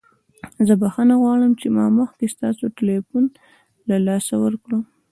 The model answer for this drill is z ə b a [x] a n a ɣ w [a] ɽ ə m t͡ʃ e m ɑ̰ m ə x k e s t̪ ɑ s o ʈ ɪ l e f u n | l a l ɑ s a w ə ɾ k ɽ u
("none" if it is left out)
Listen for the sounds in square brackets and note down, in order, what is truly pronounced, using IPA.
x, ɑ

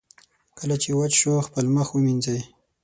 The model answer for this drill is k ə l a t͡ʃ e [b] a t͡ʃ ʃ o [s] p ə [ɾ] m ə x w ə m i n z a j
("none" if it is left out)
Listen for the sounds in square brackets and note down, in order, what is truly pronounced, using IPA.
w, x, l

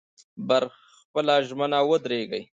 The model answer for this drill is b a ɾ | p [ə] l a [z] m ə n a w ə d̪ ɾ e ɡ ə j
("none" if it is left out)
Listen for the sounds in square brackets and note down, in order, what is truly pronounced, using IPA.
ə, ʒ

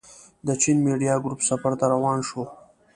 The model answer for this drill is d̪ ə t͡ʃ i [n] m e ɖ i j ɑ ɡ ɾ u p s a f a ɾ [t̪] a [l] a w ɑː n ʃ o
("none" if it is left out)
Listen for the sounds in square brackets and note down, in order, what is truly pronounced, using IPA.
n, t̪, ɾ

